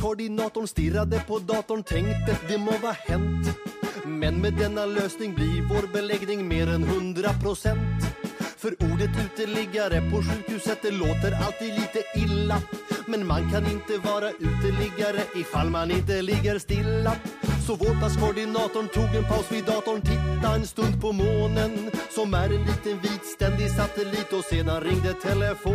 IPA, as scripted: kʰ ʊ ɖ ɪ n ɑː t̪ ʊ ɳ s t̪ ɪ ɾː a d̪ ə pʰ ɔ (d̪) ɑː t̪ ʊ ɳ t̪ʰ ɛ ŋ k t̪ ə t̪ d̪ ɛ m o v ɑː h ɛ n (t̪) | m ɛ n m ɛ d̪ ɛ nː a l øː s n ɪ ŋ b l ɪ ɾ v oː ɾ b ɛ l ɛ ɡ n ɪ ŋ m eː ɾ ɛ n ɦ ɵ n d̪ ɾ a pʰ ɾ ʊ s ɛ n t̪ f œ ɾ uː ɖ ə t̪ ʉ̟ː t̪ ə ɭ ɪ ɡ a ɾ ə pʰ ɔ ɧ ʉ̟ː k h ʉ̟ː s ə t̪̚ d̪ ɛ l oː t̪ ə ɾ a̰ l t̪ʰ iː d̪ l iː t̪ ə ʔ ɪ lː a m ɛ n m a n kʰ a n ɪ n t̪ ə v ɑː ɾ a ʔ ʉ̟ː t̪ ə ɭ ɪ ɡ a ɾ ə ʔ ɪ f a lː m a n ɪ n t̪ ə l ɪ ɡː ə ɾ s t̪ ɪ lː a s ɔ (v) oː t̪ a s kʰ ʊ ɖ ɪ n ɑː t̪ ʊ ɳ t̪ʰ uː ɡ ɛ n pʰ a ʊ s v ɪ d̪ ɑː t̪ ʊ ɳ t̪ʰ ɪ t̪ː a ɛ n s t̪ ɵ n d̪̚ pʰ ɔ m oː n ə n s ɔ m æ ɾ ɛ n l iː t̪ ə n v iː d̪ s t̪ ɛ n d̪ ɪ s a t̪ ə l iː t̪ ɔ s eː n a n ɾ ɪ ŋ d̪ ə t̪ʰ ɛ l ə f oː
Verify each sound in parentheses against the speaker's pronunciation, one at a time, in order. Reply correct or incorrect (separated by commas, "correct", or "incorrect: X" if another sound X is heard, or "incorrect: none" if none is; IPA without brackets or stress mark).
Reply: correct, correct, correct